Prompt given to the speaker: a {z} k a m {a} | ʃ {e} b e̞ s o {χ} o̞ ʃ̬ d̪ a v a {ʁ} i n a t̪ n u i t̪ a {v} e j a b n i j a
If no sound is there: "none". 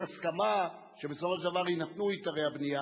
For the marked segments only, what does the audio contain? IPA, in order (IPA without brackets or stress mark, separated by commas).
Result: s, a, e, f, ʁ, ʁ